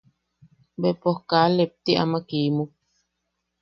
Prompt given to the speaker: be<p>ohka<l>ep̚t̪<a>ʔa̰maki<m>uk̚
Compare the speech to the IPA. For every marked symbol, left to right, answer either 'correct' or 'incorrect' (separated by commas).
correct, correct, incorrect, correct